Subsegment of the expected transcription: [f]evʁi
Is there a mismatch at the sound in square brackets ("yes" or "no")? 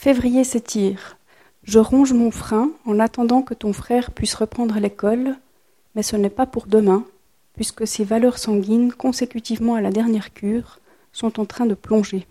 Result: no